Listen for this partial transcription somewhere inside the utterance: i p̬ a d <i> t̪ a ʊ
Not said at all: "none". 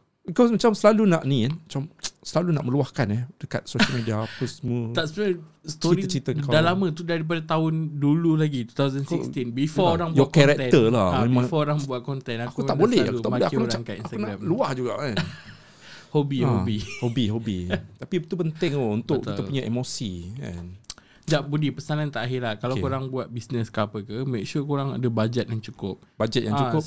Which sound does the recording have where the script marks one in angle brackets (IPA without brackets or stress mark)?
a